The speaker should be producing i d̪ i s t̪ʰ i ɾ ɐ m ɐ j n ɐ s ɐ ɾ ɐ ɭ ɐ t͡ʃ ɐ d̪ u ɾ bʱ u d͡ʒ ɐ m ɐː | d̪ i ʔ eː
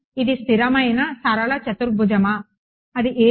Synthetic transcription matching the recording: i d̪ i s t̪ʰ i ɾ ɐ m ɐ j n ɐ s ɐ ɾ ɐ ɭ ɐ t͡ʃ ɐ t̪ u ɾ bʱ u d͡ʒ ɐ m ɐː | d̪ i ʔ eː